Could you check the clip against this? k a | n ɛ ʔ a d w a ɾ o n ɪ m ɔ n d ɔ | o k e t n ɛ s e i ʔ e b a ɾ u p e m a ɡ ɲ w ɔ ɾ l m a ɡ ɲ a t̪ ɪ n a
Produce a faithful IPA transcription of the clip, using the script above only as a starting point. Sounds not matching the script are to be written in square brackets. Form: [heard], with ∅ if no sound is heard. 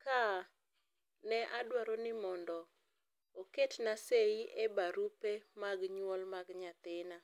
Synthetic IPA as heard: k a | n ɛ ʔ a d w a ɾ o n ɪ m ɔ n d ɔ | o k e t n [a] s e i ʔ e b a ɾ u p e m a ɡ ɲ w ɔ [∅] l m a ɡ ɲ a t̪ ɪ n a